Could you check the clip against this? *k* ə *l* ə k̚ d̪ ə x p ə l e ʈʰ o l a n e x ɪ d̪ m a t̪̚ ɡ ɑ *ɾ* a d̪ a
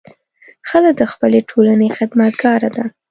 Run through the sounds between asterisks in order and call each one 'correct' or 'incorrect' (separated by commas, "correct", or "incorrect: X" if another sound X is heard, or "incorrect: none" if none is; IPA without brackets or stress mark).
incorrect: x, correct, correct